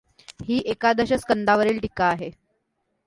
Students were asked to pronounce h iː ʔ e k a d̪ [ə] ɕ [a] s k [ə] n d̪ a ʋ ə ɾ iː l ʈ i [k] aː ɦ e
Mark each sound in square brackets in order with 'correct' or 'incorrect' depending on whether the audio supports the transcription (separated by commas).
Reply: correct, incorrect, correct, correct